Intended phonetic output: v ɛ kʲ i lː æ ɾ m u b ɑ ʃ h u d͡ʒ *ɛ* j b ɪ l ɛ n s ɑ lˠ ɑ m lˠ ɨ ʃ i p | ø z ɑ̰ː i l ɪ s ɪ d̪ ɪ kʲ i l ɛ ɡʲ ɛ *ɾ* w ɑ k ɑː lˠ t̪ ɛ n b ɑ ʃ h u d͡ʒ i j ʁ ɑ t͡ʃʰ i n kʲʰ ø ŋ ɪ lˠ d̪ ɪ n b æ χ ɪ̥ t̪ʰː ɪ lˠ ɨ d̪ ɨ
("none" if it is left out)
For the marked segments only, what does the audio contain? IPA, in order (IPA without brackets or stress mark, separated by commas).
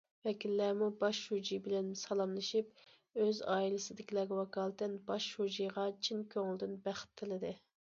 i, none